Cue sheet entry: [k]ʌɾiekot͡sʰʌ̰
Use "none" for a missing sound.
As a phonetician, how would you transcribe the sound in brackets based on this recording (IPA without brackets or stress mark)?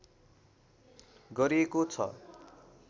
ɡ